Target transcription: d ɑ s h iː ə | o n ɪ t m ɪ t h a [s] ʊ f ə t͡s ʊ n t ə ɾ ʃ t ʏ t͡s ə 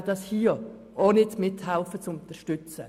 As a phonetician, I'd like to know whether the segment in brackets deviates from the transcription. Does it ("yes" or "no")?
yes